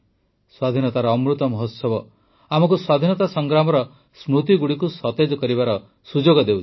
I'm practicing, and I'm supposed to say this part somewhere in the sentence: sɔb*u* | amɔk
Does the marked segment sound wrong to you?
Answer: yes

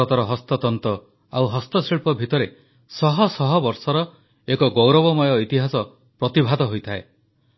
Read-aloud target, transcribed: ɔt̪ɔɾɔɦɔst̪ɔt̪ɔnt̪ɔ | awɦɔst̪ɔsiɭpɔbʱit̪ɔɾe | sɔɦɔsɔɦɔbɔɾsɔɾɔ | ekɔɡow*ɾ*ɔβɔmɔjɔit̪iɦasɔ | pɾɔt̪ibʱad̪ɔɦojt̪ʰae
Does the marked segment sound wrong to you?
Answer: no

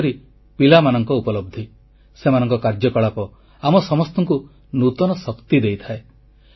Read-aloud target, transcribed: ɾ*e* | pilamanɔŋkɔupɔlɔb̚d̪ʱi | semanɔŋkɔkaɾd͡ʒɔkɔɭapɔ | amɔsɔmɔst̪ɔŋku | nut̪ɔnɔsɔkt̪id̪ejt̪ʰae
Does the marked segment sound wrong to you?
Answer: yes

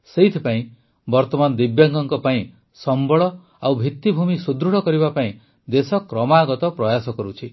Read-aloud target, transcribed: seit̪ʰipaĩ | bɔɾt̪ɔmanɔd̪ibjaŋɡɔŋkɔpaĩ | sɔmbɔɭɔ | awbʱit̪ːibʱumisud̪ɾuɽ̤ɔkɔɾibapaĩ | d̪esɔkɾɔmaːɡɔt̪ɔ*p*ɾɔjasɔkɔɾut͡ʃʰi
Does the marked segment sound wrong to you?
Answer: no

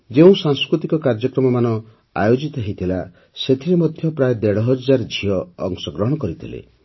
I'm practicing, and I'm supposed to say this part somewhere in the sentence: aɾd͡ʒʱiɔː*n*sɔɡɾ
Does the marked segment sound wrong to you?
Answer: yes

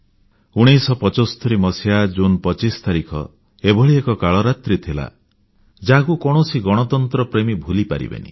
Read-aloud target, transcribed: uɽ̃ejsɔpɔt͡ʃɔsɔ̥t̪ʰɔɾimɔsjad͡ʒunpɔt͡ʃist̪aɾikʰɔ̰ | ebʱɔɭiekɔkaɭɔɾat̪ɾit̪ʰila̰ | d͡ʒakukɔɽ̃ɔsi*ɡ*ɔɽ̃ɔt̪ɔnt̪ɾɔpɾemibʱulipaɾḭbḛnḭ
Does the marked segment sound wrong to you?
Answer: no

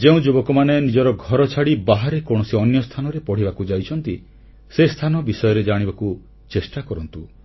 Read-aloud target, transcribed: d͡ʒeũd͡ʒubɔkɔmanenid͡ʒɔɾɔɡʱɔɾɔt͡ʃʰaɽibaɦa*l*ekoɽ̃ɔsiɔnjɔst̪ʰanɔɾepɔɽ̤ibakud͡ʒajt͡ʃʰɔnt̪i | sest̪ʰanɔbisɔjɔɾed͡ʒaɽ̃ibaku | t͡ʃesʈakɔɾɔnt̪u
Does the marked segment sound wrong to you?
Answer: yes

